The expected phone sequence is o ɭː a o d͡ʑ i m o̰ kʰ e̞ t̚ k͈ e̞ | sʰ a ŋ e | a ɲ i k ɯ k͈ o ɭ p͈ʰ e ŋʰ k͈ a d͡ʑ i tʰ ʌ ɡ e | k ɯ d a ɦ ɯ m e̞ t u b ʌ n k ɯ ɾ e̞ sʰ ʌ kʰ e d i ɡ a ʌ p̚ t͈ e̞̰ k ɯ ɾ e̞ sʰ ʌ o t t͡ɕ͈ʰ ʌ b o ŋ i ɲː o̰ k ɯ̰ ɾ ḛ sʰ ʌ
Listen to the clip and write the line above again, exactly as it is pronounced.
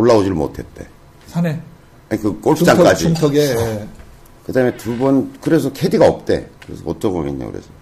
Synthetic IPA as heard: o ɭː a o d͡ʑ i m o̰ tʰ e̞ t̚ t͈ e̞ | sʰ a n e | a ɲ i k ɯ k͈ o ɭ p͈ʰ a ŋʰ k͈ a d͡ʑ i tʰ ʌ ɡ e | k ɯ d a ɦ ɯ m e̞ t u b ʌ n k ɯ ɾ e̞ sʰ ʌ kʰ e d i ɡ a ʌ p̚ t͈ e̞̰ k ɯ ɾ e̞ sʰ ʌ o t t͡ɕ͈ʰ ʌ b o m i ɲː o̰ k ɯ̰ ɾ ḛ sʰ ʌ